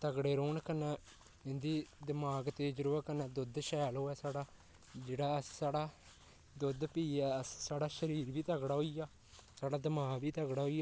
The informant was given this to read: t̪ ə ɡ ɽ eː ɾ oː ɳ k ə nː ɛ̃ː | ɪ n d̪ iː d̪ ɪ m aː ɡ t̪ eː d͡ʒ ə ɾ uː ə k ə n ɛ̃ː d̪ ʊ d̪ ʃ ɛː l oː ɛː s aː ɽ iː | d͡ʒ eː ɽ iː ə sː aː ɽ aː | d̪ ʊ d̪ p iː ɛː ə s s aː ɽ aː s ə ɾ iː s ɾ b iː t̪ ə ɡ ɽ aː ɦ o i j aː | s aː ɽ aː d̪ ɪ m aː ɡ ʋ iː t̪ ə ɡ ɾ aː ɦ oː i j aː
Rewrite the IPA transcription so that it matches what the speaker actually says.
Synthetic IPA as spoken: t̪ ə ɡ ɽ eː ɾ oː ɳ k ə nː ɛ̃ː | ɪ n d̪ iː d̪ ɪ m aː ɡ t̪ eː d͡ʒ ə ɾ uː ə k ə n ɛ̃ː d̪ ʊ d̪ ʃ ɛː l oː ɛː s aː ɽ aː | d͡ʒ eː ɽ aː ə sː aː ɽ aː | d̪ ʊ d̪ p iː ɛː ə s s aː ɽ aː ʃ ə ɾ iː ɾ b iː t̪ ə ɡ ɽ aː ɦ o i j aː | s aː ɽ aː d̪ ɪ m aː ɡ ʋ iː t̪ ə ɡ ɽ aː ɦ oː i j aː

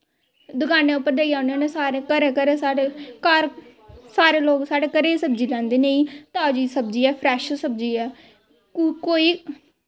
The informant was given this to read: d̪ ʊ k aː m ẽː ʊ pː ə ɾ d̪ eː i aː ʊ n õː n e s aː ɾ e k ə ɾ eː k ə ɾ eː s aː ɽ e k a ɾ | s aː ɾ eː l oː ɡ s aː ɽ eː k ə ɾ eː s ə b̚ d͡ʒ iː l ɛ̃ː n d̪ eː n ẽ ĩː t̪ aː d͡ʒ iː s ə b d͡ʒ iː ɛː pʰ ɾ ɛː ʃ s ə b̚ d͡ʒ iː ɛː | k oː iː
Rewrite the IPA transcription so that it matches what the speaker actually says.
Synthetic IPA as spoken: d̪ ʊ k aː n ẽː ʊ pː ə ɾ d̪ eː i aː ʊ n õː n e s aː ɾ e k ə ɾ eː k ə ɾ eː s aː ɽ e k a ɾ | s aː ɾ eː l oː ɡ s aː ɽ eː k ə ɾ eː s ə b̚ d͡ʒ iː l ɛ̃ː n d̪ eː n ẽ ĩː t̪ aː d͡ʒ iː s ə b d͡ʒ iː ɛː pʰ ɾ ɛː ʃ s ə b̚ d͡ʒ iː ɛː | k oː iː

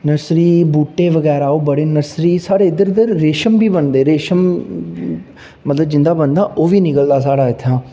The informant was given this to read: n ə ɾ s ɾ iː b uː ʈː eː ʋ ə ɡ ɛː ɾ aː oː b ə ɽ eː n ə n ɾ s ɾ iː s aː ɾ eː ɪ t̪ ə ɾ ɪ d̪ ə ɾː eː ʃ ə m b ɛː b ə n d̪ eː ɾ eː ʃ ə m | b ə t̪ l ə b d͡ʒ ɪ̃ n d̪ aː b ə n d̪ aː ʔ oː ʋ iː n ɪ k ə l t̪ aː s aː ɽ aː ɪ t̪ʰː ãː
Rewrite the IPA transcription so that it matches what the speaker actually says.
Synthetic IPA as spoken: n ə ɾ s ɾ iː b uː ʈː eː ʋ ə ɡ ɛː ɾ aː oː b ə ɽ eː n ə ɾ s ɾ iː s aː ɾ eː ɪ d̪ ə ɾ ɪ d̪ ə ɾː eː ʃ ə m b iː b ə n d̪ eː ɾ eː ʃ ə m | m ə t̪ l ə b d͡ʒ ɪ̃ n d̪ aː b ə n d̪ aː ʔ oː ʋ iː n ɪ k ə l d̪ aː s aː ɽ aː ɪ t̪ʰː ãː

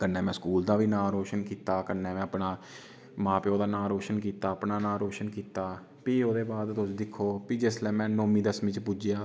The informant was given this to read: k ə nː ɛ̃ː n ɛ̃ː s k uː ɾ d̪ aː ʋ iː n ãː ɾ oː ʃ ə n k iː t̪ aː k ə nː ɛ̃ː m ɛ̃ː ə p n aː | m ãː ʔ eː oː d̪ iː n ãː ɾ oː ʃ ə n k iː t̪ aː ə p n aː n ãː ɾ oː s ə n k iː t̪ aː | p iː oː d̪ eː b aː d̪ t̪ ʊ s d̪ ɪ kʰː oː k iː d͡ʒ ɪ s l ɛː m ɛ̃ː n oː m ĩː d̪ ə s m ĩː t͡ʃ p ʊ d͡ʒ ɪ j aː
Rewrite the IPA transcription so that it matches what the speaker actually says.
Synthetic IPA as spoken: k ə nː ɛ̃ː m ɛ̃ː s k uː l d̪ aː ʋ iː n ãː ɾ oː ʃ ə n k iː t̪ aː k ə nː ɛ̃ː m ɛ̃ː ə p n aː | m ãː p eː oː d̪ aː n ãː ɾ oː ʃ ə n k iː t̪ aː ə p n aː n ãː ɾ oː ʃ ə n k iː t̪ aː | p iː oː d̪ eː b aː d̪ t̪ ʊ s d̪ ɪ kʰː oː p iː d͡ʒ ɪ s l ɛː m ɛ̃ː n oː m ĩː d̪ ə s m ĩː t͡ʃ p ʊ d͡ʒ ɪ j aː

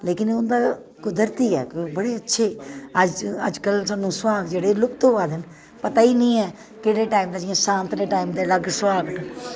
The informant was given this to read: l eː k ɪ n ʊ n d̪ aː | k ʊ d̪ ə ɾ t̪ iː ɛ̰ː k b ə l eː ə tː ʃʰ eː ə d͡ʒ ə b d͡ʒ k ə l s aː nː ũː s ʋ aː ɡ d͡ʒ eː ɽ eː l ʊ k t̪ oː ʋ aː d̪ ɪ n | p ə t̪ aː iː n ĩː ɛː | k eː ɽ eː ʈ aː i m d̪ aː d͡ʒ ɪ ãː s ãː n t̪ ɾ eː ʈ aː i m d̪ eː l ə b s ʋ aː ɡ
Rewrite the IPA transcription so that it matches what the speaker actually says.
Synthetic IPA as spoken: l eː k ɪ n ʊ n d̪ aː | k ʊ d̪ ə ɾ t̪ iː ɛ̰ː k b ə ɽ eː ə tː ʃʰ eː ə d͡ʒ ə d͡ʒ k ə l s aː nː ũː s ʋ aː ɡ d͡ʒ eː ɽ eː l ʊ k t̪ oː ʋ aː d̪ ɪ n | p ə t̪ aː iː n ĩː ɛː | k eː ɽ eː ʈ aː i m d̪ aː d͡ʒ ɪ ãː s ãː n t̪ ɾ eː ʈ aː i m d̪ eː l ə ɡ s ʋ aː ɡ

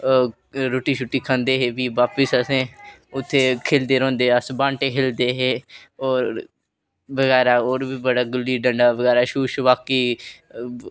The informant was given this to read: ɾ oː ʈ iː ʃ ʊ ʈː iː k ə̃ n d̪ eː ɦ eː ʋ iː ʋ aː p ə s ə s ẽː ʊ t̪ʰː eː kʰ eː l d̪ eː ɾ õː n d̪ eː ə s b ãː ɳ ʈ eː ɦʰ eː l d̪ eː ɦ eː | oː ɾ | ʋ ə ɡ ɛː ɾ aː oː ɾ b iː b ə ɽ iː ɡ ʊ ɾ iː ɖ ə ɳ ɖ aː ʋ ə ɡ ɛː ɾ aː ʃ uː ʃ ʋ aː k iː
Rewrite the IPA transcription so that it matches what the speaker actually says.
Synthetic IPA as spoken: ɾ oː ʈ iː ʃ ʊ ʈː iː kʰ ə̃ n d̪ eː ɦ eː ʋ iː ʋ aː p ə s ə s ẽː ʊ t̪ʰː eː kʰ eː l d̪ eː ɾ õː n d̪ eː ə s b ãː ɳ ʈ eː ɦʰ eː l d̪ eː ɦ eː | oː ɾ | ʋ ə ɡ ɛː ɾ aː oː ɾ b iː b ə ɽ aː ɡ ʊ l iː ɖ ə ɳ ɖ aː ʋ ə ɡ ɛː ɾ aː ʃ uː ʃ ʋ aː k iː

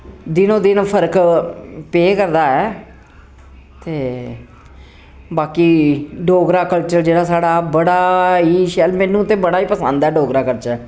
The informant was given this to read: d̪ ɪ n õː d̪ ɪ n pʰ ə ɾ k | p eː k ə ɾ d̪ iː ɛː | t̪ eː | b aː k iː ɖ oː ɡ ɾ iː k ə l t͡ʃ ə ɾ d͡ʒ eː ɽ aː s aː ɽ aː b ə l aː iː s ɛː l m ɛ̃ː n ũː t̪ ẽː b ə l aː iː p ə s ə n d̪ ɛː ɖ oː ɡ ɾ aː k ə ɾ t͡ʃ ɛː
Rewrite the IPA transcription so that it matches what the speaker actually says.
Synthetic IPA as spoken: d̪ ɪ n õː d̪ ɪ n pʰ ə ɾ k | p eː k ə ɾ d̪ aː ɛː | t̪ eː | b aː k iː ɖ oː ɡ ɾ aː k ə l t͡ʃ ə ɾ d͡ʒ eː ɽ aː s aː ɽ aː b ə ɽ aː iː ʃ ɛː l m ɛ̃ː n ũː t̪ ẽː b ə ɽ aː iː p ə s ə n d̪ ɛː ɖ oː ɡ ɾ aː k ə ɾ t͡ʃ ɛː

